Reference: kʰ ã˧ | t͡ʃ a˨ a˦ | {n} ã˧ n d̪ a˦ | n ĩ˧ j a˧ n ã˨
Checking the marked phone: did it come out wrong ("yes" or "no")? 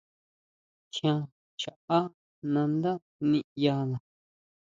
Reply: no